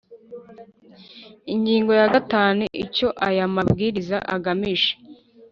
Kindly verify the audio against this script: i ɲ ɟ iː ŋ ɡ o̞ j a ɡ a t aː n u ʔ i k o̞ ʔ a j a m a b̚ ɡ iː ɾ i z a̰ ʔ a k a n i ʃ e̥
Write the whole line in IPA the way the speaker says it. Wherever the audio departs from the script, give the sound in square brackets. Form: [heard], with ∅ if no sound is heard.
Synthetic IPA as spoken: i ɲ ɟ iː ŋ ɡ o̞ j a ɡ a t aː n u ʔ i [c] o̞ ʔ a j a m a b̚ ɡ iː ɾ i z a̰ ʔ a [ɡ] a [m] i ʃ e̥

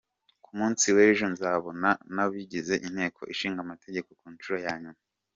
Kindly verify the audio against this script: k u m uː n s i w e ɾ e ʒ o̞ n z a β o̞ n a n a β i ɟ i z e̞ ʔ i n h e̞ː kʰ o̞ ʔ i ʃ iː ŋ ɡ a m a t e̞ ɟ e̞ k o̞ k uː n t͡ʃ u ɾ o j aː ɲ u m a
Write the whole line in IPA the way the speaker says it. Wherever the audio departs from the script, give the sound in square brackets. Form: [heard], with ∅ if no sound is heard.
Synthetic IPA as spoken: k u m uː n s i w e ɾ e ʒ o̞ n z a β o̞ n a n a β i ɟ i z e̞ ʔ i n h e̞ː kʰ o̞ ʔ i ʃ iː ŋ ɡ a m a t e̞ ɟ e̞ k o̞ k uː n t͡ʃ u ɾ o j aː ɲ u m a

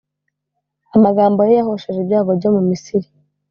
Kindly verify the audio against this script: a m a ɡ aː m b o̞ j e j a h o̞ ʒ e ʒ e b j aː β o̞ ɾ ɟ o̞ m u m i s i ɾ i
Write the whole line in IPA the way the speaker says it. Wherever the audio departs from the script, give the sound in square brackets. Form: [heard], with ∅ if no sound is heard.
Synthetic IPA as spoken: a m a ɡ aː m b o̞ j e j a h o̞ [ʃ] e ʒ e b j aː β o̞ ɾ ɟ o̞ m u m i s i ɾ i

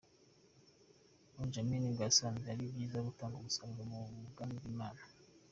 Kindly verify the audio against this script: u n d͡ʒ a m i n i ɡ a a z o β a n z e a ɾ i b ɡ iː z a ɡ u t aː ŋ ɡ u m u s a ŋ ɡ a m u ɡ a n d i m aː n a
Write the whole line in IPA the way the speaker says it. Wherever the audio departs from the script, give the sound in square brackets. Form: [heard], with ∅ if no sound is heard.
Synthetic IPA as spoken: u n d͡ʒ a m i n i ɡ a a [s] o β a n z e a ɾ i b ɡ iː z a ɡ u t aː ŋ ɡ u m u s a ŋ ɡ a m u ɡ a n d i m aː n a

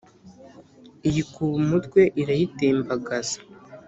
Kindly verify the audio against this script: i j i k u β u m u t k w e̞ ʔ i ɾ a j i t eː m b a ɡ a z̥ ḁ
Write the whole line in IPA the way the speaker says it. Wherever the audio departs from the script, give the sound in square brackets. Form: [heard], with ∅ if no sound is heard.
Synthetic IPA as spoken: i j i k u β u m u t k w e̞ ʔ i ɾ a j i t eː m b a ɡ a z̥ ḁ

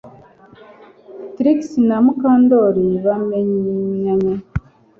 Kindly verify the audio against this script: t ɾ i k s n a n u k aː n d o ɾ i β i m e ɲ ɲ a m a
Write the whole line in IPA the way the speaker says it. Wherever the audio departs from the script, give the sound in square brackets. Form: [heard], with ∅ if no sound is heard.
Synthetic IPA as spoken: t ɾ i k s n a [m] u k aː n d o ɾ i β [a] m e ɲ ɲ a [ɲ] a

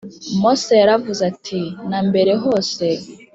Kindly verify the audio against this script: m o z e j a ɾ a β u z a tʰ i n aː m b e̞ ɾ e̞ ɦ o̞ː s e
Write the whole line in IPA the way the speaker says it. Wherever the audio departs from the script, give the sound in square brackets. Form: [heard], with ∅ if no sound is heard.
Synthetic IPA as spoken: m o [s] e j a ɾ a [v] u z a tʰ i n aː m b e̞ ɾ e̞ ɦ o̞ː s e

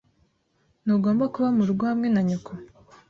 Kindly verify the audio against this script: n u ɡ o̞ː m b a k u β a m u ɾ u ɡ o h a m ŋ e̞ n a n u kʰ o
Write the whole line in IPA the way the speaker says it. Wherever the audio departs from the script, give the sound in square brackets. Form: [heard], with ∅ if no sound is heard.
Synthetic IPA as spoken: n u ɡ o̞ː m b a k u β a m u ɾ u ɡ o h a m ŋ e̞ n a [ɲ] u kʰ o

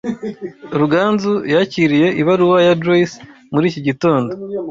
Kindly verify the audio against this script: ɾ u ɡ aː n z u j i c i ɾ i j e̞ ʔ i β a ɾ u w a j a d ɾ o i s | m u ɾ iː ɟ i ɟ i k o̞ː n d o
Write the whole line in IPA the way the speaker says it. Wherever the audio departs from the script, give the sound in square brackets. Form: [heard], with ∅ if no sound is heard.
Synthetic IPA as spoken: ɾ u ɡ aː n z u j [a] c i ɾ i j e̞ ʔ i β a ɾ u w a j a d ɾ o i s | m u ɾ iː [c] i ɟ i [t] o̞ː n d o

